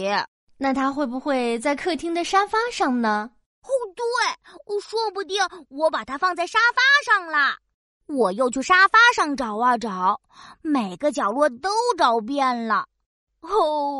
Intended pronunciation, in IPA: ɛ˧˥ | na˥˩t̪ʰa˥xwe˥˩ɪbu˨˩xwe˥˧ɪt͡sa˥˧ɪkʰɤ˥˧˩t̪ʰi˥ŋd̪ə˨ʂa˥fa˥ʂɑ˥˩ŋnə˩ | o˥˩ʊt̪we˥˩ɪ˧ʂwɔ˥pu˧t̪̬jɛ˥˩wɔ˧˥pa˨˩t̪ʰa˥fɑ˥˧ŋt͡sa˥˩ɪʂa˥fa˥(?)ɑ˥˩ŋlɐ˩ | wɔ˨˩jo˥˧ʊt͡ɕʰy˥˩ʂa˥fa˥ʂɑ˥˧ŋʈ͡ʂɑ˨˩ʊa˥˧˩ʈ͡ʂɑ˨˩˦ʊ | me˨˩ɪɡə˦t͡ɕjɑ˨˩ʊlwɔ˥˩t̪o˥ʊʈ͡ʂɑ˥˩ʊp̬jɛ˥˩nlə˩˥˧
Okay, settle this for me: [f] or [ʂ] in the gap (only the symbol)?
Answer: ʂ